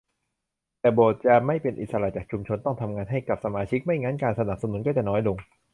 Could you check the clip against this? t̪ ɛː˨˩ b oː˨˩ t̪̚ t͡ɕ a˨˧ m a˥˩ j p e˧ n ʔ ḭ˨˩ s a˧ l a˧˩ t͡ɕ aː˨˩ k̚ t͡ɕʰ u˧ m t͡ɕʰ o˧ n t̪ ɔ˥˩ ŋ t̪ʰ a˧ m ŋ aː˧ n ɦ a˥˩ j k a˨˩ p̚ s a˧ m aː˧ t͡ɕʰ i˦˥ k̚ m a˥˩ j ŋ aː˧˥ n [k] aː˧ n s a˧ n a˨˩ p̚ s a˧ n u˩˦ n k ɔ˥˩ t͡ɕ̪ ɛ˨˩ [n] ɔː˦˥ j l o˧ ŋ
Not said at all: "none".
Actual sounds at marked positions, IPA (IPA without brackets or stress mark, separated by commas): k, n